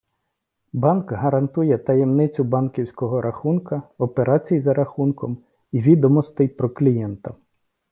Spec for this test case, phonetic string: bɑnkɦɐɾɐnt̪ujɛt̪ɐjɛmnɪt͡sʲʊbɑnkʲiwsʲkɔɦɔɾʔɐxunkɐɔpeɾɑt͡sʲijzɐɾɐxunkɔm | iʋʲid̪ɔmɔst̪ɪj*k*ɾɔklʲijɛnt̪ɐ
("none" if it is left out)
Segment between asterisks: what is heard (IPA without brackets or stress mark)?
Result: p